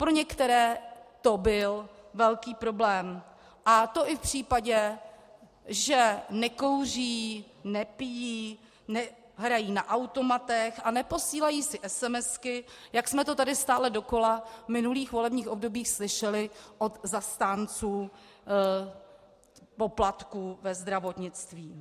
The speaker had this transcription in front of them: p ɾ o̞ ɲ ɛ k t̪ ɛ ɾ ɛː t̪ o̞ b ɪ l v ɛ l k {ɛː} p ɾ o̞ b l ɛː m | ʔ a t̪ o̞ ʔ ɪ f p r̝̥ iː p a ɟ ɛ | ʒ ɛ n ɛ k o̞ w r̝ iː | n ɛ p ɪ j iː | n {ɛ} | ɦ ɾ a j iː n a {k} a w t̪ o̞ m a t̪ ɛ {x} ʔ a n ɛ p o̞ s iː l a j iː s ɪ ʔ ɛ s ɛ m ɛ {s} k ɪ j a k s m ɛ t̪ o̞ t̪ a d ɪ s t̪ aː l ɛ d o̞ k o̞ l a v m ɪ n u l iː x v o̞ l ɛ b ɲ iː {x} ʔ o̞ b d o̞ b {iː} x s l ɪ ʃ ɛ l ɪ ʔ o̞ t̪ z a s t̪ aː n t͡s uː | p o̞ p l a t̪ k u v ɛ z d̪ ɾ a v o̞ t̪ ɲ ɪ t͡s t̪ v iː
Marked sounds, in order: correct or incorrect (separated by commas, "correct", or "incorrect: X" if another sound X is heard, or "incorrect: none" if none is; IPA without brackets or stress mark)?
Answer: incorrect: iː, correct, incorrect: ʔ, correct, correct, correct, correct